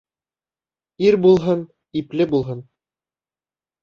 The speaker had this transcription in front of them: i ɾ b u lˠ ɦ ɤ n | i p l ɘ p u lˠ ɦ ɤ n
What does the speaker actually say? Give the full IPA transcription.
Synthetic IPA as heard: i ɾ b u lˠ ɦ ɤ n | i p l ɘ b u lˠ ɦ ɤ n